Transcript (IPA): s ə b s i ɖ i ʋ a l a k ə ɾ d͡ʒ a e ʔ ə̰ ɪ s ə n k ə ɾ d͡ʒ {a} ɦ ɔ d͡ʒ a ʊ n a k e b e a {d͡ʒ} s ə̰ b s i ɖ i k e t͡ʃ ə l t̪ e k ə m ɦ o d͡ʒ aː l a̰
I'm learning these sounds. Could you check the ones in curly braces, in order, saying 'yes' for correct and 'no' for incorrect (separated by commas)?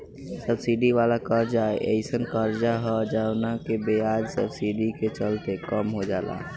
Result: yes, yes